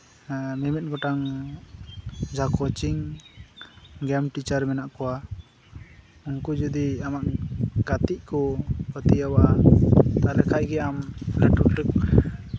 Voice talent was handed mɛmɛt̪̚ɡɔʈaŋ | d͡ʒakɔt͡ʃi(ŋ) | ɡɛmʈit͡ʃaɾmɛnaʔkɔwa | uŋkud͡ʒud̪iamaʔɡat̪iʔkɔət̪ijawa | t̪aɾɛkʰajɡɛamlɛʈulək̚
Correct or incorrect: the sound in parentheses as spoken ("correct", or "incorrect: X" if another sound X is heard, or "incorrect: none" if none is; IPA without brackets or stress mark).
correct